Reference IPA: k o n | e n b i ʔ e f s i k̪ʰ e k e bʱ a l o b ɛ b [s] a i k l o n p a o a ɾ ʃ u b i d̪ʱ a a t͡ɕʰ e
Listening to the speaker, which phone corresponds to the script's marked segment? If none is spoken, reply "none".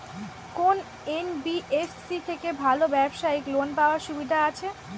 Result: ʃ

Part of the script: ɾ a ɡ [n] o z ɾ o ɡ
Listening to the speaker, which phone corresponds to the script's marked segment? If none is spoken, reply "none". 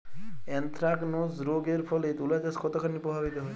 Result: n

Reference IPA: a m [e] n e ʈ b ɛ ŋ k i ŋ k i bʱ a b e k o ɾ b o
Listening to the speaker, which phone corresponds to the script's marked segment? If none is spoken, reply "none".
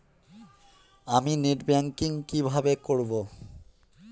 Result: i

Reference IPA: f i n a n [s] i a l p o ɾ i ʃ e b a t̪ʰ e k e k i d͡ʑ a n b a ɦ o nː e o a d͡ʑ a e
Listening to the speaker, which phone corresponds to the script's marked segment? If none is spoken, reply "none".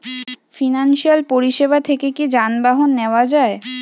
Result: ʃ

